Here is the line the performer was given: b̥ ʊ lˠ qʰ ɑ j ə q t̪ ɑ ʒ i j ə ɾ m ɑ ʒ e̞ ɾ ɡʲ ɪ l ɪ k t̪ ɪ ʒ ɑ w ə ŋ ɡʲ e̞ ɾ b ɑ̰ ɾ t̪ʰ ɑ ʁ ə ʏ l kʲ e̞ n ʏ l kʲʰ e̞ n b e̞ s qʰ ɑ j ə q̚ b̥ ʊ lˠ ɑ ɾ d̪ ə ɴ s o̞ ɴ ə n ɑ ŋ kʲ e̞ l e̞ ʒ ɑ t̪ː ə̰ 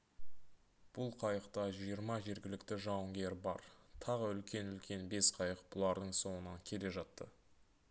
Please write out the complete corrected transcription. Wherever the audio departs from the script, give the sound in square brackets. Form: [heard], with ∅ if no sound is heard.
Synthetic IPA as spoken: b̥ ʊ lˠ qʰ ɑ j ə q t̪ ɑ ʒ i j ə ɾ m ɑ ʒ e̞ ɾ ɡʲ ɪ l ɪ k t̪ ɪ ʒ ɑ w ə ŋ ɡʲ e̞ ɾ b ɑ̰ ɾ t̪ʰ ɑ ʁ ə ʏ l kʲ e̞ n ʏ l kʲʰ e̞ n b e̞ s qʰ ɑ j ə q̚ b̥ ʊ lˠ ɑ ɾ d̪ ə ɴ s o̞ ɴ ə n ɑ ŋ [kʲʰ] e̞ l e̞ ʒ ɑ t̪ː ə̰